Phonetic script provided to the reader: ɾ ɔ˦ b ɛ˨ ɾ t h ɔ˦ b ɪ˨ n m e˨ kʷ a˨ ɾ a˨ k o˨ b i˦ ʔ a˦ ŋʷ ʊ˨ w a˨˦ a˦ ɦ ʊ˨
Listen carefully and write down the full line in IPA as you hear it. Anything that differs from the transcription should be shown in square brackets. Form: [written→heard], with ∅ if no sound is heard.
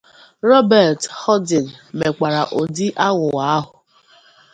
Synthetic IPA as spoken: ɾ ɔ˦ b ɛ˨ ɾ t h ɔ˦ [b→d] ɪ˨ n m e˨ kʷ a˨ ɾ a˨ [k→ʔ] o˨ [b→d] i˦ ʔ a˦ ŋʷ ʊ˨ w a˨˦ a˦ ɦ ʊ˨